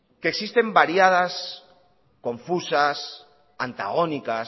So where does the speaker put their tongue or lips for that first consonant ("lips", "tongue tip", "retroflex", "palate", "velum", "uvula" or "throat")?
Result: velum